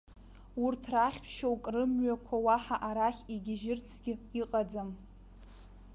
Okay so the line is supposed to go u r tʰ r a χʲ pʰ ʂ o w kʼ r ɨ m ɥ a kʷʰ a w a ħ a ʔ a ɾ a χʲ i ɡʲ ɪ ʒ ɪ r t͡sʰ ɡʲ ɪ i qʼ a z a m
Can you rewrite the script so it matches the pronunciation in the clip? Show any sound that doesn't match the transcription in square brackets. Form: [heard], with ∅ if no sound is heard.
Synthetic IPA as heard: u r tʰ r a χʲ pʰ [ʃ] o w kʼ r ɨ m ɥ a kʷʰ a w a ħ a ʔ a ɾ a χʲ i ɡʲ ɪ ʒ ɪ r t͡sʰ ɡʲ ɪ i qʼ a [d͡z] a m